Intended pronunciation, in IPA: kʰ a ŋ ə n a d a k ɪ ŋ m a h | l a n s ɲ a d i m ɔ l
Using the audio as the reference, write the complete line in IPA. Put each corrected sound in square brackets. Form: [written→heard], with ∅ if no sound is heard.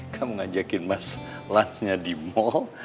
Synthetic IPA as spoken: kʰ a [ŋ→m] ə [n→ŋ] a [d→d͡ʒ] a k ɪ [ŋ→n] m a [h→s] | l a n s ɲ a d i m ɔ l